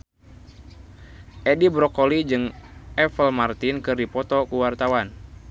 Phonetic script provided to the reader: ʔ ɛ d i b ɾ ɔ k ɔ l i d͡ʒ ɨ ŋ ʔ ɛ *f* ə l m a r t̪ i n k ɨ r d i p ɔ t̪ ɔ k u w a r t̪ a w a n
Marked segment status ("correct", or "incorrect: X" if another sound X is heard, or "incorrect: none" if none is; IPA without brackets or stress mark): correct